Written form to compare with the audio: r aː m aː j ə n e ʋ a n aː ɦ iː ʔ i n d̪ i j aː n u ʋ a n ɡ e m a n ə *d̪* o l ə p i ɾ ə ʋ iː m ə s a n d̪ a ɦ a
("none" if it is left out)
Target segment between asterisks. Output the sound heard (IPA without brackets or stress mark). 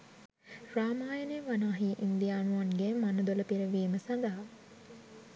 d̪